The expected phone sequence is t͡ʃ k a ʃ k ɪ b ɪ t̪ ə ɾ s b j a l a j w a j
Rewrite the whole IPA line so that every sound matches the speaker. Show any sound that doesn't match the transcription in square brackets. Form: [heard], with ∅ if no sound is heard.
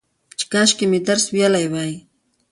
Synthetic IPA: t͡ʃ k a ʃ k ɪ [m] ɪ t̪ [a] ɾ s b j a l a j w a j